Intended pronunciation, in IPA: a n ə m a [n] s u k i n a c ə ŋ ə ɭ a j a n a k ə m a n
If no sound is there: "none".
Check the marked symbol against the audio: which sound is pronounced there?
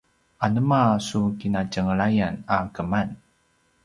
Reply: none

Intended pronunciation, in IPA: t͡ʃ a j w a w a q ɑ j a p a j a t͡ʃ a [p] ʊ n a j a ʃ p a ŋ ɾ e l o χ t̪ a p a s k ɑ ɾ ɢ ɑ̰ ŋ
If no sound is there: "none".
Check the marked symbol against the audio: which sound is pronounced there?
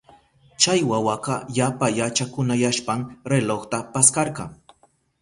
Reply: k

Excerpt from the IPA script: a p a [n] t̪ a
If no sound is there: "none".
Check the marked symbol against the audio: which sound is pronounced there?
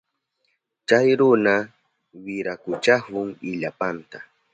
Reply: n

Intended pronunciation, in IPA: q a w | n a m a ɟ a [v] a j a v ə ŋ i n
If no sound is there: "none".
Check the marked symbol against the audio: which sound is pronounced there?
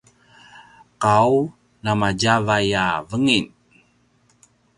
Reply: v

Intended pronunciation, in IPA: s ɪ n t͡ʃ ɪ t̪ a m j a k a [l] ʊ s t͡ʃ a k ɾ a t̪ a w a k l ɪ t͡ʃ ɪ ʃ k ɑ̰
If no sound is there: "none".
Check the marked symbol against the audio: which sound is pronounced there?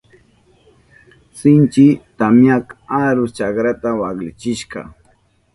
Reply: ɾ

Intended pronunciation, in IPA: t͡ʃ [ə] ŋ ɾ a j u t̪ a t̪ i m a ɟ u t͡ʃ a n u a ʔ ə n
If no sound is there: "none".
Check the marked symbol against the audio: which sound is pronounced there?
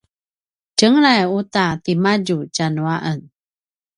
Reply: ə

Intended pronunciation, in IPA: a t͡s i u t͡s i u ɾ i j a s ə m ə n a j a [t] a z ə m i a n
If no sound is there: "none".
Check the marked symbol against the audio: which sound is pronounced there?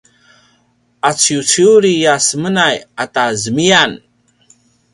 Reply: t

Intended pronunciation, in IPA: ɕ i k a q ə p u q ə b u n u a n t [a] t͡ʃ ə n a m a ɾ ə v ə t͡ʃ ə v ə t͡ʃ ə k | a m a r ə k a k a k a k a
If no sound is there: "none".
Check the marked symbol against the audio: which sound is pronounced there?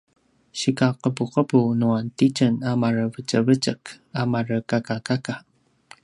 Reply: i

